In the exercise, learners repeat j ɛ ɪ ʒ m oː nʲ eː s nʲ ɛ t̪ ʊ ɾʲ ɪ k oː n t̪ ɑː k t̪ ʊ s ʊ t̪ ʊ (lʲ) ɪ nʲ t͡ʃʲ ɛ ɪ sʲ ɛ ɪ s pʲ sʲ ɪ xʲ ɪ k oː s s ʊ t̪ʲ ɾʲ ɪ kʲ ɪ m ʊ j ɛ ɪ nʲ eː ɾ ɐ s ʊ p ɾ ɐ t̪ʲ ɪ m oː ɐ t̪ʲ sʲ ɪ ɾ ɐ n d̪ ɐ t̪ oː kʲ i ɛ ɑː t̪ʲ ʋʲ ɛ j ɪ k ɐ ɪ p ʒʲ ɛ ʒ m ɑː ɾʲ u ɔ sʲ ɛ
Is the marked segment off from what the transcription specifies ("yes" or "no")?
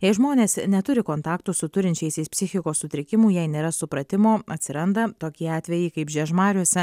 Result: yes